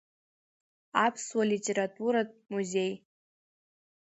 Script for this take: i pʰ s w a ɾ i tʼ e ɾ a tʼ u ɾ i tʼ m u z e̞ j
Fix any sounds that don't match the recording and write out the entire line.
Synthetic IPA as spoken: a pʰ s w a l i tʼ e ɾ a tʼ u ɾ a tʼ m u z e̞ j